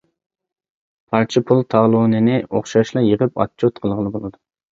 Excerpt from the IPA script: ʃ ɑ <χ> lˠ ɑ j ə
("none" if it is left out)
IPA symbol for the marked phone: ʃ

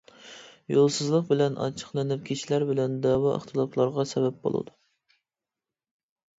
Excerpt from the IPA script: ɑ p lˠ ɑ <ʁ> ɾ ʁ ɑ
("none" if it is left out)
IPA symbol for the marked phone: none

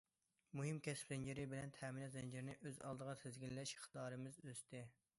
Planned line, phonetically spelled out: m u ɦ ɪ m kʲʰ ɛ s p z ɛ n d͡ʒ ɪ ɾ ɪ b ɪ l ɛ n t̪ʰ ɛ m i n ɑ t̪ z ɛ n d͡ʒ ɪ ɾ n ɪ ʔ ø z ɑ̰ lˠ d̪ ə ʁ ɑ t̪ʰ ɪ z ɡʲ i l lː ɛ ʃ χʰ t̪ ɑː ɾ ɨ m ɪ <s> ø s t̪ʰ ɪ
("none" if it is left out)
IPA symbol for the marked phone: z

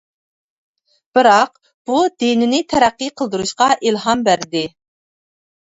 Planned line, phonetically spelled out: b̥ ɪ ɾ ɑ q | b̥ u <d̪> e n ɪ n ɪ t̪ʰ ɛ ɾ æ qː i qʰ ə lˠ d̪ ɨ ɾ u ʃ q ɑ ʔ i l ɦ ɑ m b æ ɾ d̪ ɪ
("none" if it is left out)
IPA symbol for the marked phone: d̪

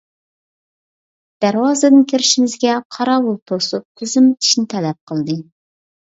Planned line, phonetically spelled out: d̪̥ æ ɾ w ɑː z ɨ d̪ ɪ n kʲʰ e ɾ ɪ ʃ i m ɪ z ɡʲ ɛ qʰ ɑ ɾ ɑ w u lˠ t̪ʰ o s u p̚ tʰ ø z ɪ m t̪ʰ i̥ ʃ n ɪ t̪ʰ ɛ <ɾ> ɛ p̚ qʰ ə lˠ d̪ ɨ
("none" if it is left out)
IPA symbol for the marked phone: l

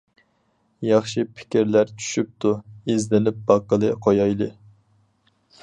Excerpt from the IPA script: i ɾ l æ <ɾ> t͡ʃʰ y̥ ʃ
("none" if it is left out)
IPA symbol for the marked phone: ɾ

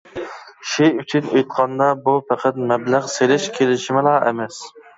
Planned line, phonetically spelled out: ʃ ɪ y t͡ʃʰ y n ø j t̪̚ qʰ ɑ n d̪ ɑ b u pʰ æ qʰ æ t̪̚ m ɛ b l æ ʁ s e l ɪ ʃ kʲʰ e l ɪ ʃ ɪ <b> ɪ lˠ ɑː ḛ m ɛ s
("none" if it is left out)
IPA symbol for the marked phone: m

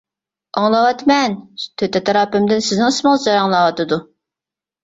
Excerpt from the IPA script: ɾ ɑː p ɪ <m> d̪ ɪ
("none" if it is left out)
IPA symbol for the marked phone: m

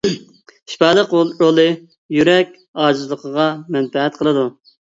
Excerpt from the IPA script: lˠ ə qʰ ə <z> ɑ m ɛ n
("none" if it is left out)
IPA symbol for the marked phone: ʁ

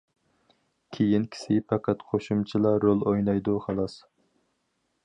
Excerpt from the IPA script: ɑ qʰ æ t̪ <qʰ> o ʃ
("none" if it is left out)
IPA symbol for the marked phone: qʰ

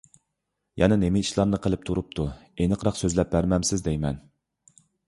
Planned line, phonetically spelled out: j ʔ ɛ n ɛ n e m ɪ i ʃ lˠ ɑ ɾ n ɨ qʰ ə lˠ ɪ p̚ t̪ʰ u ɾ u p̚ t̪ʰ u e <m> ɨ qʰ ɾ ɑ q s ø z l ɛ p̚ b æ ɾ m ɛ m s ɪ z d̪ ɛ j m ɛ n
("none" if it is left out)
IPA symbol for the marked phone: n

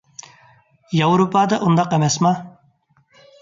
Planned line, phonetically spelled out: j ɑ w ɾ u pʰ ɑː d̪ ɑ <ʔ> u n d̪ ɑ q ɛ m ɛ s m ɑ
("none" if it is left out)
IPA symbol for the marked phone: ʔ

